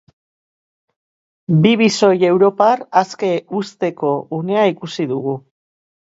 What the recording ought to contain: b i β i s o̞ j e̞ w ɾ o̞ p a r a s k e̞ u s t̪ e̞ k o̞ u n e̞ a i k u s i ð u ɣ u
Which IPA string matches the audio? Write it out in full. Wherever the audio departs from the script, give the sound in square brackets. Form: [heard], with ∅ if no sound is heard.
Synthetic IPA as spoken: b i β i s o̞ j e̞ w ɾ o̞ p a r a s k e̞ u s t̪ e̞ k o̞ u n e̞ a i k u s i ð u ɣ u